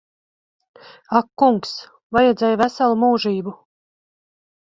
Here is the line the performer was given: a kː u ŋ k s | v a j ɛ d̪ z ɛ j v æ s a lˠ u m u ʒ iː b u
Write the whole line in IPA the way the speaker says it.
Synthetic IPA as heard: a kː u ŋ k s | v a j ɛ d̪ z ɛ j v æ s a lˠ u m uː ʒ iː b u